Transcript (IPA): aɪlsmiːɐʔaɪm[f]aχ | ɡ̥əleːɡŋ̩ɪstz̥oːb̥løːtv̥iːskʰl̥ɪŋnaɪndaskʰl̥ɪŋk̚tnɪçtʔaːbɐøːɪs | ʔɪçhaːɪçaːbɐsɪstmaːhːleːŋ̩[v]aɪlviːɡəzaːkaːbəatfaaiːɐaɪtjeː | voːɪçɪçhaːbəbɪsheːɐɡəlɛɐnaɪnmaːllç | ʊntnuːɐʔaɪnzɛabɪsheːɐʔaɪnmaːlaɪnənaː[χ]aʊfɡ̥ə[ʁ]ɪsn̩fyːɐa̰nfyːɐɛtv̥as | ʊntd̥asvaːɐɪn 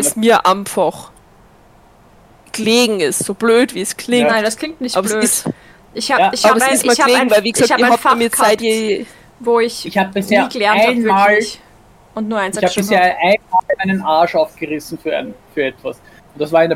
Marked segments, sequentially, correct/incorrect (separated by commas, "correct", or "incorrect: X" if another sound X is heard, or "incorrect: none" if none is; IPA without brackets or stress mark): correct, correct, incorrect: ʃ, correct